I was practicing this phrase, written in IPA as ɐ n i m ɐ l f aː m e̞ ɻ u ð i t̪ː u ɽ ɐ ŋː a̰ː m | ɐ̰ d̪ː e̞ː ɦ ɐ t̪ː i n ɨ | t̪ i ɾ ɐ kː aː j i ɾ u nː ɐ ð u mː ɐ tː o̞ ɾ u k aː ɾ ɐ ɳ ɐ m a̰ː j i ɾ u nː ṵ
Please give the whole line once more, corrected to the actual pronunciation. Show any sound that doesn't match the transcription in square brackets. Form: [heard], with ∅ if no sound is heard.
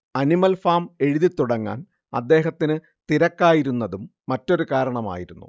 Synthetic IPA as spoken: ɐ n i m ɐ l f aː m e̞ ɻ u ð i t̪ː u ɽ ɐ ŋː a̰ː [n] | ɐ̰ d̪ː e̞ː ɦ ɐ t̪ː i n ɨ | t̪ i ɾ ɐ kː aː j i ɾ u nː ɐ ð u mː ɐ tː o̞ ɾ u k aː ɾ ɐ ɳ ɐ m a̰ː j i ɾ u nː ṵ